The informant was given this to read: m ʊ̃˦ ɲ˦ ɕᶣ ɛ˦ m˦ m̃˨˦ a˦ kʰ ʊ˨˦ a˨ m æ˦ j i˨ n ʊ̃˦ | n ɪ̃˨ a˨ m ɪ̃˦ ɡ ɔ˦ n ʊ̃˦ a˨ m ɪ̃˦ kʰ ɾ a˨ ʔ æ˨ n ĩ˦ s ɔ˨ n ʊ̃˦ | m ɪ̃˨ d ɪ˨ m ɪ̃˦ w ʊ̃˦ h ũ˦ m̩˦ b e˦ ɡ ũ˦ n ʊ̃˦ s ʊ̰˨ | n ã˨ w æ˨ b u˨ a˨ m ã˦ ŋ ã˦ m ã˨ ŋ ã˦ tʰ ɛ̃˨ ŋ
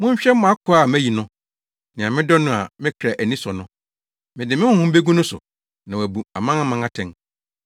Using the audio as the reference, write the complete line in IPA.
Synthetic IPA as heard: m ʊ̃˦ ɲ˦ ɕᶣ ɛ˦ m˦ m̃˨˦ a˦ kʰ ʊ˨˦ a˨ m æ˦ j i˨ n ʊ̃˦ | n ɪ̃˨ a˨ m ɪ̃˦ d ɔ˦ n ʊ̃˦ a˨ m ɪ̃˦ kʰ ɾ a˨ ʔ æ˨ n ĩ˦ s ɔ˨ n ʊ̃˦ | m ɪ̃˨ d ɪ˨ m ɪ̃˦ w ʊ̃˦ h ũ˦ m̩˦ b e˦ ɡ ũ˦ n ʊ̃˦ s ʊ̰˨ | n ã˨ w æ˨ b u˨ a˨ m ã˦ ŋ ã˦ m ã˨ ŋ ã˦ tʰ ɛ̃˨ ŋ